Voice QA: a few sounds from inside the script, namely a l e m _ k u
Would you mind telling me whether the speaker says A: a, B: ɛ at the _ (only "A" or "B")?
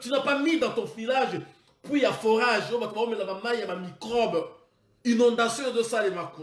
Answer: A